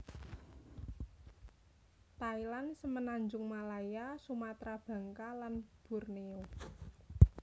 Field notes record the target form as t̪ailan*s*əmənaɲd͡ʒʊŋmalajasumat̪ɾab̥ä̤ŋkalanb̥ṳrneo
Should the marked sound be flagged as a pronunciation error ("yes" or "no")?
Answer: no